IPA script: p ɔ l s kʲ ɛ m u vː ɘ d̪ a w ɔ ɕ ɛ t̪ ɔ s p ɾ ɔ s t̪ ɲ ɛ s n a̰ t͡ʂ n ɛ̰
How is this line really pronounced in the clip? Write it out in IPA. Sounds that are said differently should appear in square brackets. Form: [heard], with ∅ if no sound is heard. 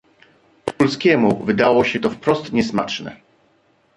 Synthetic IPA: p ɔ l s kʲ ɛ m u [v] ɘ d̪ a w ɔ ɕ ɛ t̪ ɔ [f] p ɾ ɔ s t̪ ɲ ɛ s [m] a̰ t͡ʂ n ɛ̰

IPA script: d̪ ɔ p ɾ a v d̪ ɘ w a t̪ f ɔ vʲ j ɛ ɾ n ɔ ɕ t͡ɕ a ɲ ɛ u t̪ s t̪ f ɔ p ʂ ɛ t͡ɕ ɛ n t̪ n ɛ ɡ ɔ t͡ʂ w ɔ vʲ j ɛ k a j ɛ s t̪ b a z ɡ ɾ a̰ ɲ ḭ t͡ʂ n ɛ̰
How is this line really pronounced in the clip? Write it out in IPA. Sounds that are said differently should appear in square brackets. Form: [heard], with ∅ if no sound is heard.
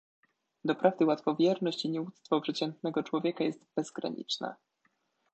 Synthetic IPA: d̪ ɔ p ɾ a v d̪ ɘ w a t̪ f ɔ vʲ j ɛ ɾ n ɔ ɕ t͡ɕ [i] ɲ ɛ u t̪ s t̪ f ɔ p ʂ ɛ t͡ɕ ɛ n t̪ n ɛ ɡ ɔ t͡ʂ w ɔ vʲ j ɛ k a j ɛ s t̪ b [ɛ] z ɡ ɾ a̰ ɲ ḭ t͡ʂ n ɛ̰

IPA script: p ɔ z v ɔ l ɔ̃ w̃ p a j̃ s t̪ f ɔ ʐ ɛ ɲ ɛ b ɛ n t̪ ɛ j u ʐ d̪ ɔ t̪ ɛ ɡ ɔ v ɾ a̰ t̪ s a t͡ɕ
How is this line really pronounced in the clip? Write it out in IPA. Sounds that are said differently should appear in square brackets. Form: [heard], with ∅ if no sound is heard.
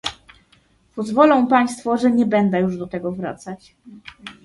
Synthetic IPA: p ɔ z v ɔ l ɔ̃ w̃ p a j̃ s t̪ f ɔ ʐ ɛ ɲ ɛ b ɛ n [d̪] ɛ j u ʐ d̪ ɔ t̪ ɛ ɡ ɔ v ɾ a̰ t̪ s a t͡ɕ

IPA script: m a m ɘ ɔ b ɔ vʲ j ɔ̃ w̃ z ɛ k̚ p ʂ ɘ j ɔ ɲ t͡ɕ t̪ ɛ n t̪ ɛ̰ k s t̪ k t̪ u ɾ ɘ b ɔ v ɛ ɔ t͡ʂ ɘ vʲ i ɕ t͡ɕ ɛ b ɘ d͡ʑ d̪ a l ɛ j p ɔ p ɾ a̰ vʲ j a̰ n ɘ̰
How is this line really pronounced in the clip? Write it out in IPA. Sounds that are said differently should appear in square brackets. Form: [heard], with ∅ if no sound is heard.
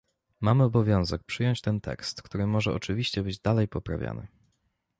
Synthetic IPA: m a m ɘ ɔ b ɔ vʲ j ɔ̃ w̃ z ɛ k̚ p ʂ ɘ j ɔ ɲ t͡ɕ t̪ ɛ n t̪ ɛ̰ k s t̪ k t̪ u ɾ ɘ [m] ɔ [ʐ] ɛ ɔ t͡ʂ ɘ vʲ i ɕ t͡ɕ ɛ b ɘ d͡ʑ d̪ a l ɛ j p ɔ p ɾ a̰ vʲ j a̰ n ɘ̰

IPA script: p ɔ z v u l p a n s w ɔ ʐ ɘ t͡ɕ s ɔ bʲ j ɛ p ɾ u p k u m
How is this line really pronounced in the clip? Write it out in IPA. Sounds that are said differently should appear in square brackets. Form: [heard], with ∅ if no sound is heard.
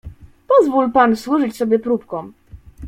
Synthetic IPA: p ɔ z v u l p a n s w [u] ʐ ɘ t͡ɕ s ɔ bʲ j ɛ p ɾ u p k [ɔ] m

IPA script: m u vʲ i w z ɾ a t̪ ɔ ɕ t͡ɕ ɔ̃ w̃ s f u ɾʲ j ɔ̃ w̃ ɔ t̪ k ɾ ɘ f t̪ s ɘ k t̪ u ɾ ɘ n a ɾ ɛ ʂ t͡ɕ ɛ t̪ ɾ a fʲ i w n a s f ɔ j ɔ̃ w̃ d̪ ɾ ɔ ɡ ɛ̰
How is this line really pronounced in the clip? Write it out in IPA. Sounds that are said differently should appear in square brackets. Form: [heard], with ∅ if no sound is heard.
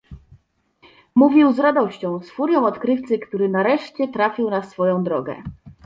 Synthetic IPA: m u vʲ i w z ɾ a [d̪] ɔ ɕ t͡ɕ ɔ̃ w̃ s f u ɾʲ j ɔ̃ w̃ ɔ t̪ k ɾ ɘ f t̪ s ɘ k t̪ u ɾ ɘ n a ɾ ɛ ʂ t͡ɕ ɛ t̪ ɾ a fʲ i w n a s f ɔ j ɔ̃ w̃ d̪ ɾ ɔ ɡ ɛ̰

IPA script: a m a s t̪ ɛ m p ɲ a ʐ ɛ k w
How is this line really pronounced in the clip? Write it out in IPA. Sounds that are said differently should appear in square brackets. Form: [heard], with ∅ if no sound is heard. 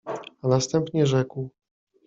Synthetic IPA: a [n] a s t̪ ɛ m p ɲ [ɛ] ʐ ɛ k w

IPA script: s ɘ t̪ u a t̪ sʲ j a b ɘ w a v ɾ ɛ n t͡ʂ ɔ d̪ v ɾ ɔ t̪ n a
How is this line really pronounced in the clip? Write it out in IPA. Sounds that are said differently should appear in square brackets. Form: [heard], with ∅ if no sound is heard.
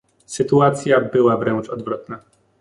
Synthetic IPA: s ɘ t̪ u a t̪ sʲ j a b ɘ w a v ɾ ɛ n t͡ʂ ɔ d̪ v ɾ ɔ t̪ n a

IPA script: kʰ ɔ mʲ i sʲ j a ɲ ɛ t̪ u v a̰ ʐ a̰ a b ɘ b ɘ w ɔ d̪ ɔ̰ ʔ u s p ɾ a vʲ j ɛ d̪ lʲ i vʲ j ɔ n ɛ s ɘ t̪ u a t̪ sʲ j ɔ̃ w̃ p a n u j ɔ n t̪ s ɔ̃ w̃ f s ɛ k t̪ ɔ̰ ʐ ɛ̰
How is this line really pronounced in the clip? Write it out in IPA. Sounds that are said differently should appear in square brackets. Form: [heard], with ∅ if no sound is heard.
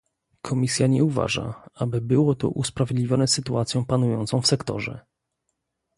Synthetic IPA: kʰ ɔ mʲ i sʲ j a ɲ ɛ [∅] u v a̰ ʐ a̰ a b ɘ b ɘ w ɔ [t̪] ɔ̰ ʔ u s p ɾ a vʲ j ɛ d̪ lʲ i vʲ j ɔ n ɛ s ɘ t̪ u a t̪ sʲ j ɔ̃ w̃ p a n u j ɔ n t̪ s ɔ̃ w̃ f s ɛ k t̪ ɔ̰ ʐ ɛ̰

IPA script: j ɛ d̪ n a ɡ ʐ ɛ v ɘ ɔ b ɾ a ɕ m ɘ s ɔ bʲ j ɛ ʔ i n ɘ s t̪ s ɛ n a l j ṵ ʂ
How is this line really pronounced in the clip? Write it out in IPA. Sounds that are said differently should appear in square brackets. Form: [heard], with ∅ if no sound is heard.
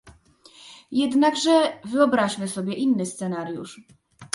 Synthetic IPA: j ɛ d̪ n a ɡ ʐ ɛ v ɘ ɔ b ɾ a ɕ m ɘ s ɔ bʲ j ɛ ʔ i [nː] ɘ s t̪ s ɛ n a [ɾ] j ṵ ʂ

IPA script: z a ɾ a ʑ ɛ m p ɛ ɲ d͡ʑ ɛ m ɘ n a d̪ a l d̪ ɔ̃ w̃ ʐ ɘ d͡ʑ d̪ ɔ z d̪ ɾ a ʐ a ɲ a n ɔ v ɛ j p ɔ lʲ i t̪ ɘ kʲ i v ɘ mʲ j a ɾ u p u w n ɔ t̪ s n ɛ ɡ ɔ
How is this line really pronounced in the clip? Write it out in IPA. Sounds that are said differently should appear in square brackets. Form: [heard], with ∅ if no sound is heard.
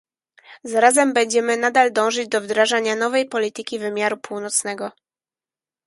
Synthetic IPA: z a ɾ a [z] ɛ m [b] ɛ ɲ d͡ʑ ɛ m ɘ n a d̪ a l d̪ ɔ̃ w̃ ʐ ɘ d͡ʑ d̪ ɔ [v] d̪ ɾ a ʐ a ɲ a n ɔ v ɛ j p ɔ lʲ i t̪ ɘ kʲ i v ɘ mʲ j a ɾ u p u w n ɔ t̪ s n ɛ ɡ ɔ

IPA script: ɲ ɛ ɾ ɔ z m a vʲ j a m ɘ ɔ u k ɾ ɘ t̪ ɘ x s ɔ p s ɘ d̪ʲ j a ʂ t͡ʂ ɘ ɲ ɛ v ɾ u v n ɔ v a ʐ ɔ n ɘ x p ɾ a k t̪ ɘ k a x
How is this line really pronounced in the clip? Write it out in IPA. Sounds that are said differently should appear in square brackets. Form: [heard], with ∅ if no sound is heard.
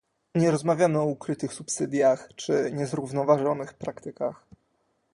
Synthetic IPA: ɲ ɛ ɾ ɔ z m a vʲ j a m ɘ ɔ u k ɾ ɘ t̪ ɘ x s [u] p s ɘ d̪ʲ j a [x] t͡ʂ ɘ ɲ ɛ [z] ɾ u v n ɔ v a ʐ ɔ n ɘ x p ɾ a k t̪ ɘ k a x

